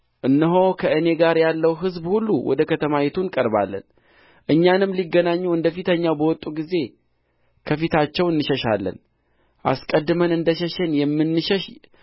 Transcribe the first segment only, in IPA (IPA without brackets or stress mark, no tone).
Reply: ʔ